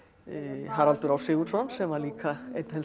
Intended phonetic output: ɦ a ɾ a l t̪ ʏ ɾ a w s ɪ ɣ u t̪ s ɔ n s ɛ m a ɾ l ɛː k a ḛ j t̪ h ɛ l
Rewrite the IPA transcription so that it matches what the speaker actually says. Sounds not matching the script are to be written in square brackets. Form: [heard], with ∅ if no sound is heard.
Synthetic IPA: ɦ a ɾ a l t̪ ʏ ɾ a w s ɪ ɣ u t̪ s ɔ n s ɛ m a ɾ l [iː] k a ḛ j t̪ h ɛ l